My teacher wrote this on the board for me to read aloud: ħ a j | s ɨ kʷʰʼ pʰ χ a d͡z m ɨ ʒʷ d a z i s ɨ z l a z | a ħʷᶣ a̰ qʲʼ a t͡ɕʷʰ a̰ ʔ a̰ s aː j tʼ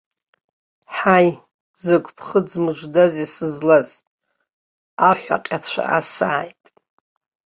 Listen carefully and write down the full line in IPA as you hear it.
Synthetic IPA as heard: ħ a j | z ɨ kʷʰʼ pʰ χ ə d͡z m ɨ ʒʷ d a z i s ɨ z l a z | a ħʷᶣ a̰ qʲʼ a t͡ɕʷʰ a̰ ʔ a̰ s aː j tʼ